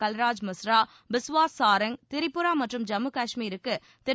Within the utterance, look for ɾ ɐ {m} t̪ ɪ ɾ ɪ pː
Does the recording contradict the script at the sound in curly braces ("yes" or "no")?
yes